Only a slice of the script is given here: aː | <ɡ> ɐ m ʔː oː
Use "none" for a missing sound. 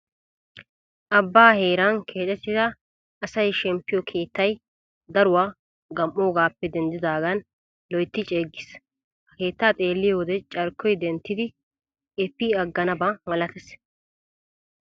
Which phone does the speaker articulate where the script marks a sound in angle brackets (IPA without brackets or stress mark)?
ɡ